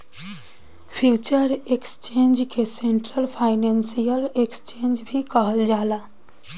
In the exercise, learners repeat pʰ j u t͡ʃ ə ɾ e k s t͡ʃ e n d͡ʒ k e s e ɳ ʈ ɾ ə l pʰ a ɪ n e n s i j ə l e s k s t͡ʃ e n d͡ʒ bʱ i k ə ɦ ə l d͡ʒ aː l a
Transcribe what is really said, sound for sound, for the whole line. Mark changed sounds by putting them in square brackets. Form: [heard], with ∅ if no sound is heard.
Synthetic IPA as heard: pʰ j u t͡ʃ ə ɾ e k s t͡ʃ e n d͡ʒ k e s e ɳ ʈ ɾ ə l pʰ a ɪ n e n s i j ə l e [∅] k s t͡ʃ e n d͡ʒ bʱ i k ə ɦ ə l d͡ʒ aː l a